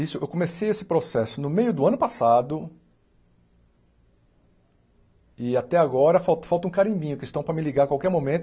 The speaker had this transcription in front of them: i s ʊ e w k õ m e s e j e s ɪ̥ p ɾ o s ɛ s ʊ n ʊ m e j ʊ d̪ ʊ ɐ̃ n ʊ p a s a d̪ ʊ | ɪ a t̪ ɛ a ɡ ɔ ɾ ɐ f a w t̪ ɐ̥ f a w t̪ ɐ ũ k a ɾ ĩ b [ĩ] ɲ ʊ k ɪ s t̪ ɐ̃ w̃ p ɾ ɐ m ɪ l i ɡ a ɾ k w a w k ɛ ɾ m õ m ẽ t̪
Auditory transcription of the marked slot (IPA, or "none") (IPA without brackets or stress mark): ĩ